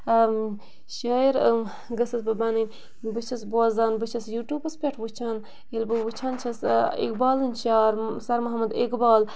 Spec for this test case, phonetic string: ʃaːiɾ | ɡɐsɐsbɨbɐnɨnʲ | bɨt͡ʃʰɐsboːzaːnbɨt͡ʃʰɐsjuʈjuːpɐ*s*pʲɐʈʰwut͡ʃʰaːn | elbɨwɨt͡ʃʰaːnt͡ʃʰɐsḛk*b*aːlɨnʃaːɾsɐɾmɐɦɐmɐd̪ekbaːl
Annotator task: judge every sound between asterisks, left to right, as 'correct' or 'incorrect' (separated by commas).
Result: correct, correct